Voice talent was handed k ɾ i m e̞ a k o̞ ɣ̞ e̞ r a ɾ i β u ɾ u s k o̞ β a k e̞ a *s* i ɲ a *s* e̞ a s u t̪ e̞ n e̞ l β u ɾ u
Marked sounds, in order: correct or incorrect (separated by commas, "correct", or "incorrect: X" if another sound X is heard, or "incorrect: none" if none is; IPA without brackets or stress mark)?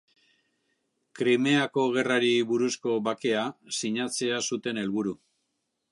correct, incorrect: t͡s